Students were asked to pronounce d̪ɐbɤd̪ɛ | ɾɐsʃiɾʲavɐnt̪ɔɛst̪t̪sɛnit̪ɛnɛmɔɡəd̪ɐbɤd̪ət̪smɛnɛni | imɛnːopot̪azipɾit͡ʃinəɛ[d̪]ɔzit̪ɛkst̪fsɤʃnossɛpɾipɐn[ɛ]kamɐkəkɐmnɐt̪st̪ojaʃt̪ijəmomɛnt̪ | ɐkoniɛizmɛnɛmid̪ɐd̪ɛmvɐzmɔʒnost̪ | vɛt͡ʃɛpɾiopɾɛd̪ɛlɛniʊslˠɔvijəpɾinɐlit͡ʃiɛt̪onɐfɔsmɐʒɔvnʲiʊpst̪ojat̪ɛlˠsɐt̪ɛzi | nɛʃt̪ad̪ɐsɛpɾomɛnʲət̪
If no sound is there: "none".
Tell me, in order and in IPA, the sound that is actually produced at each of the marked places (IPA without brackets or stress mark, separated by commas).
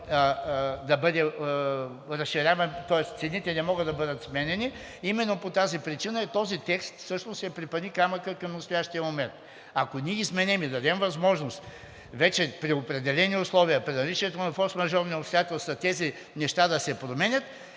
t̪, i